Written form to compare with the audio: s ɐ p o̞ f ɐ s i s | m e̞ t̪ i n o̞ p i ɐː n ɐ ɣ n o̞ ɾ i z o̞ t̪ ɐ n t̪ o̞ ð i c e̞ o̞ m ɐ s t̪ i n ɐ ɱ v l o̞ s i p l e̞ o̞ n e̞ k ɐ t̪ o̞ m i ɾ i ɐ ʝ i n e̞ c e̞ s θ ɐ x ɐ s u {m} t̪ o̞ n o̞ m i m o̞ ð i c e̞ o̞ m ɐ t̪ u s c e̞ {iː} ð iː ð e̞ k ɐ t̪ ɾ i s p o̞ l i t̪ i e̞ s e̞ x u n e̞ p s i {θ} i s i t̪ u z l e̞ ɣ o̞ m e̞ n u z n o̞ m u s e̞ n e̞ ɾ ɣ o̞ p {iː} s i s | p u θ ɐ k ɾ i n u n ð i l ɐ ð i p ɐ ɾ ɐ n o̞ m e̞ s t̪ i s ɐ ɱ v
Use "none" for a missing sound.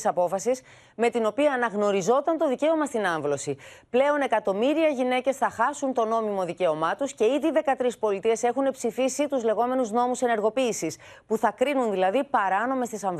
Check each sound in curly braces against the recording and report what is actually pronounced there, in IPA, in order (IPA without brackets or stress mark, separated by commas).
n, i, f, iː